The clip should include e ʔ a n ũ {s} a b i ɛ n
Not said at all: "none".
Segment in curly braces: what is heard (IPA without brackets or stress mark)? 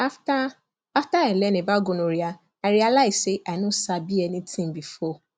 s